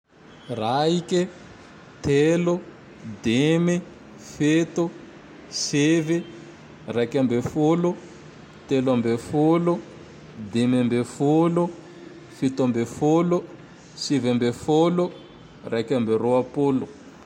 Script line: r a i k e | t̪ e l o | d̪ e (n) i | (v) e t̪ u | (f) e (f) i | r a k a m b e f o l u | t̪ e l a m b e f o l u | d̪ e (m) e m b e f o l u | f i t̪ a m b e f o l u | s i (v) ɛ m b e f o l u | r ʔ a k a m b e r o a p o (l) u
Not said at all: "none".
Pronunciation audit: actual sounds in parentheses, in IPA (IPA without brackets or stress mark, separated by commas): m, f, s, v, m, v, l